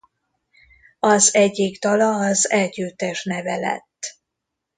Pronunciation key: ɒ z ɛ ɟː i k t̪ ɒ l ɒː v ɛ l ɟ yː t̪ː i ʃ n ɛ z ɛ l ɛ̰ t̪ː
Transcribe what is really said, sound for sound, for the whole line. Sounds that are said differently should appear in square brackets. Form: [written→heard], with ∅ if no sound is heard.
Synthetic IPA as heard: ɒ z ɛ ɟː i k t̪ ɒ l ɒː [v→z] ɛ l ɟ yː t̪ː [i→ɛ] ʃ n ɛ [z→v] ɛ l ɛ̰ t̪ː